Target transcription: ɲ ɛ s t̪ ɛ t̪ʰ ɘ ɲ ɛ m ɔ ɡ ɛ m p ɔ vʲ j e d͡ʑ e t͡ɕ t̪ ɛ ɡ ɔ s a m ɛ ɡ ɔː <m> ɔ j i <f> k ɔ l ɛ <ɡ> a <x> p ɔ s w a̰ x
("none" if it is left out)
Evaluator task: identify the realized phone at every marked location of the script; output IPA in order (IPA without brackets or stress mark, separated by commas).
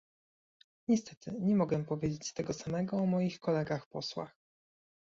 m, x, ɡ, x